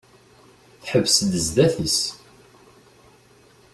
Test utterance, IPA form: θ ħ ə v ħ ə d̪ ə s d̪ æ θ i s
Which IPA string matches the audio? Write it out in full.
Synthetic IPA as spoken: θ ħ ə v s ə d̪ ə z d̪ æ θ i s